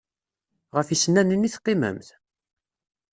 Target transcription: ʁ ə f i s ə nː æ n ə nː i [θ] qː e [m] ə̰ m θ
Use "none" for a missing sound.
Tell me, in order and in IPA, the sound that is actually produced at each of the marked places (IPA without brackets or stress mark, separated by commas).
θ, m